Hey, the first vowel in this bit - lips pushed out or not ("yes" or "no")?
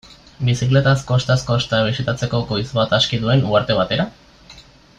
no